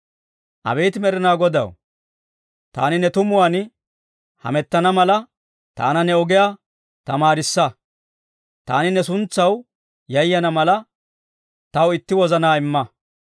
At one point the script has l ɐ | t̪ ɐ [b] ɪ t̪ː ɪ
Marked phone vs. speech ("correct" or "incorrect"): incorrect